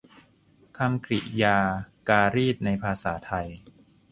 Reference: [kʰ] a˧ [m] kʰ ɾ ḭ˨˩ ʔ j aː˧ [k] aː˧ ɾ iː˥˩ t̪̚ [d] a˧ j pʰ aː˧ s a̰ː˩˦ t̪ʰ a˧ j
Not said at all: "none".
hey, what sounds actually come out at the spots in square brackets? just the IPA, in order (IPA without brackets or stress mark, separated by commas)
kʰ, m, k, n